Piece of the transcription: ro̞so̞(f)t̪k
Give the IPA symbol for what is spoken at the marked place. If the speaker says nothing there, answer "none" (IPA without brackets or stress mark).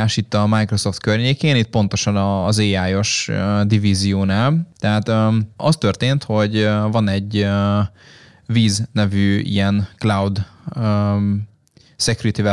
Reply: f